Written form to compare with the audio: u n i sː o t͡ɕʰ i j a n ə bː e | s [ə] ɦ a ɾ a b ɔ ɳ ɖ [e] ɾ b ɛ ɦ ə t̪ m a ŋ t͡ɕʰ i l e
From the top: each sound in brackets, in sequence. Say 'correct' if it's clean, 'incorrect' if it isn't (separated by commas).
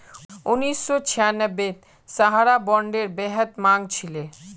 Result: incorrect, correct